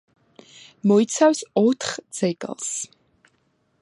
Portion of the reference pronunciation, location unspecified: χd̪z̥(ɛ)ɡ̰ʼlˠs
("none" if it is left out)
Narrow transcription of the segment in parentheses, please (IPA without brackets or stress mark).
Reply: ɛ